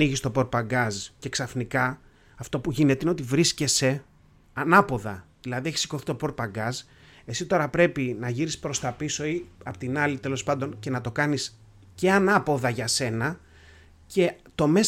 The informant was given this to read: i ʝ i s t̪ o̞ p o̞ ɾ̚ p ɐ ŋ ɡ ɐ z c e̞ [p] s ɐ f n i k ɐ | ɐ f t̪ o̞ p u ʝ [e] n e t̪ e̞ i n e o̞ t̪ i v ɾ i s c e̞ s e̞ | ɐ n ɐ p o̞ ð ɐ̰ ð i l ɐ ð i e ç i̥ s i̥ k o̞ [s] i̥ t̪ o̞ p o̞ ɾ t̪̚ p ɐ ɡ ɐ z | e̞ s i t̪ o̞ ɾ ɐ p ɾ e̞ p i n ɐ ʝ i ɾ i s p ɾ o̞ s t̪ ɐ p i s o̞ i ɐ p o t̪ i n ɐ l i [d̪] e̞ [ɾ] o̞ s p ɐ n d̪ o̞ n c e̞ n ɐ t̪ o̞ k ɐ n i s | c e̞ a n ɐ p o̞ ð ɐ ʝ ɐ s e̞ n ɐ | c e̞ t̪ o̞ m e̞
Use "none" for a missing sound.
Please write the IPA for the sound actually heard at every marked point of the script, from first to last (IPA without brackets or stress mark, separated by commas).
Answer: k, i, θ, t̪, l